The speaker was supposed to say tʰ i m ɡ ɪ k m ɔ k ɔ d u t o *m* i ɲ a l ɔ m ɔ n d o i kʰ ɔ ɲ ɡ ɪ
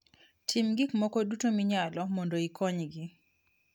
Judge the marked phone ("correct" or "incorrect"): correct